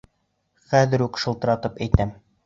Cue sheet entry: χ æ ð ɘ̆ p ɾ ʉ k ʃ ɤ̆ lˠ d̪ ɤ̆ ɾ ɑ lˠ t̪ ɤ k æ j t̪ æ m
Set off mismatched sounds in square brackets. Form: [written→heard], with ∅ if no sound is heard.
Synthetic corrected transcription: χ æ ð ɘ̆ [p→∅] ɾ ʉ k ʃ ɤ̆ lˠ [d̪→t̪] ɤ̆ ɾ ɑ [lˠ→∅] t̪ ɤ [k→p] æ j t̪ æ m